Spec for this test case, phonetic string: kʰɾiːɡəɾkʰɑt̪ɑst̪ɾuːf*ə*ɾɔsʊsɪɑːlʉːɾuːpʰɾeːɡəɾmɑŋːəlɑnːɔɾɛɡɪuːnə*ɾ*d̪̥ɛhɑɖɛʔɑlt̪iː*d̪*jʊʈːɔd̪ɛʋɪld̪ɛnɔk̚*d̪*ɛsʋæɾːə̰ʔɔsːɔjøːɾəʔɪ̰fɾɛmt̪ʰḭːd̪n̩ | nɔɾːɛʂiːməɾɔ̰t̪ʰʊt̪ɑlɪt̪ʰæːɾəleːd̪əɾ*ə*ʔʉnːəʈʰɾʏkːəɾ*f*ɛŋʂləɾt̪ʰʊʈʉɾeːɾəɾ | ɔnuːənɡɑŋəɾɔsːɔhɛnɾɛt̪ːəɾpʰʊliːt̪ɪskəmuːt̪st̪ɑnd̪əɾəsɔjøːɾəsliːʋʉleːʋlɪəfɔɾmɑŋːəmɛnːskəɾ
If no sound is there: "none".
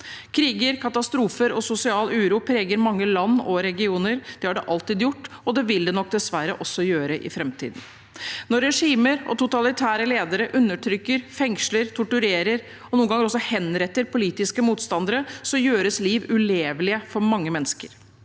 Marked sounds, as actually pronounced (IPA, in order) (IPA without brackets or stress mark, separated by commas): ə, ɾ, d̪, d̪, ə, f